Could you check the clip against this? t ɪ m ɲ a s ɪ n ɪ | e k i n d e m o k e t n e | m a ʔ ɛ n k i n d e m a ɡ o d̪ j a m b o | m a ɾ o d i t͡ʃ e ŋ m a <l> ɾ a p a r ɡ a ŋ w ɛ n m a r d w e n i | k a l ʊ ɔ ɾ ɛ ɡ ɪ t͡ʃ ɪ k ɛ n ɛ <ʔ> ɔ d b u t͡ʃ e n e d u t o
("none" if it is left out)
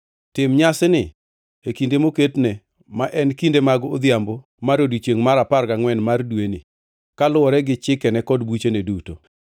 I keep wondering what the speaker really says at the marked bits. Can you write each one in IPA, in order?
none, k

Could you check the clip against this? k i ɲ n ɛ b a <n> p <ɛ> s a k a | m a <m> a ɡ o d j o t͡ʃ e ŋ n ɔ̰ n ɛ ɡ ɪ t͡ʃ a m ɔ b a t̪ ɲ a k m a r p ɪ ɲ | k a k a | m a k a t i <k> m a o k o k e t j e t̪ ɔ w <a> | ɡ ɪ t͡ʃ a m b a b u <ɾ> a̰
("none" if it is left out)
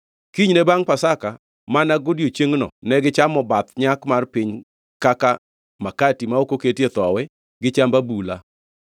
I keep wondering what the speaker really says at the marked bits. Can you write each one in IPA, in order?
ŋ, a, n, none, ɛ, l

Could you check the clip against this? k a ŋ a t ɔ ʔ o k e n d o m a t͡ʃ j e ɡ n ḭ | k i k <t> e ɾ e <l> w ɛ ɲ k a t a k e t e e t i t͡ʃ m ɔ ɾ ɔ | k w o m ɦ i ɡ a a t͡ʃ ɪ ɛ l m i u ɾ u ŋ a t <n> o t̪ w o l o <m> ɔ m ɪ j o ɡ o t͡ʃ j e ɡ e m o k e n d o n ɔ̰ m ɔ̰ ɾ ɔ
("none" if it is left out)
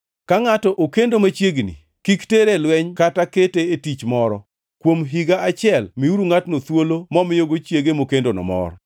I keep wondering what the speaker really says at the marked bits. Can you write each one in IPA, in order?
t, l, n, m

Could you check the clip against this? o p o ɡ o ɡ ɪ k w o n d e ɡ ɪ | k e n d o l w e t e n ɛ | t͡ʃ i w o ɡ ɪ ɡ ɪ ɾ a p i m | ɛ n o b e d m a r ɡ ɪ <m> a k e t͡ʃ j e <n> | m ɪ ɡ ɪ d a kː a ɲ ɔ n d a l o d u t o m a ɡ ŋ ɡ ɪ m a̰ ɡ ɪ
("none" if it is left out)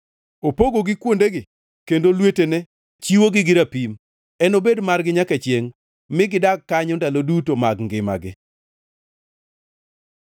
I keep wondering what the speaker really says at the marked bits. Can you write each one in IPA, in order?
ɲ, ŋ

